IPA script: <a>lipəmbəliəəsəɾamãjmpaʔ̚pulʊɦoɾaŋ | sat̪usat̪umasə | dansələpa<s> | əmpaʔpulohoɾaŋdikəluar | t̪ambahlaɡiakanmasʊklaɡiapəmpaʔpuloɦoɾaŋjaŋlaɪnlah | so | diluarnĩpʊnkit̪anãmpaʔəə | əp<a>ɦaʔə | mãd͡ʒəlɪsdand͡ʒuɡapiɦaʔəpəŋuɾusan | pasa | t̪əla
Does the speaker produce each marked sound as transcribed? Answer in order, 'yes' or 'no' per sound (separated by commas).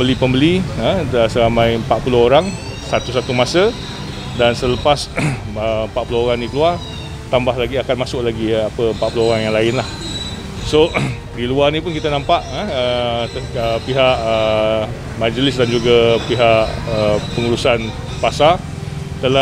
no, yes, no